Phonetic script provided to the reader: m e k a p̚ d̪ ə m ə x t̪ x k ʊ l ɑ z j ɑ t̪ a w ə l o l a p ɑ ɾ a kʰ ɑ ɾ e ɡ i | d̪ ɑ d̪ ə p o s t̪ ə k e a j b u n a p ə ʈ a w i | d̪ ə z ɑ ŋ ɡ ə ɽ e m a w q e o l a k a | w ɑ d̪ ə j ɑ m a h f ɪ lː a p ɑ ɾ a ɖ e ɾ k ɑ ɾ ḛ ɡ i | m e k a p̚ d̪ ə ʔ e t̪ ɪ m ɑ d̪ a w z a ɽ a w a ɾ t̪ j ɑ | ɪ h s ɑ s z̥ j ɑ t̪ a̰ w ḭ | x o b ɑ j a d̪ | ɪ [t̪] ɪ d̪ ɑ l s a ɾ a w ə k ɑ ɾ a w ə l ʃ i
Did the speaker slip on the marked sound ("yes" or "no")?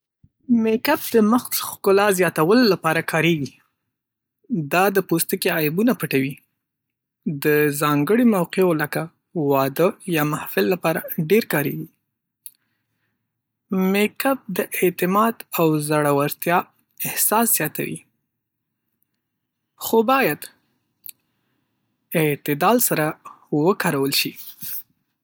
no